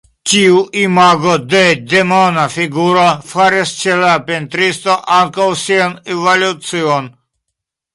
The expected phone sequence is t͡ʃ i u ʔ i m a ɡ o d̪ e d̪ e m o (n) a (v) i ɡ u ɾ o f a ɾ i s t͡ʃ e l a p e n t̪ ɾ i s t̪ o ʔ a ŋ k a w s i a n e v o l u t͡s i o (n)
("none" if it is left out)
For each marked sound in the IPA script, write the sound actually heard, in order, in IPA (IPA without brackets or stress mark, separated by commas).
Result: n, f, n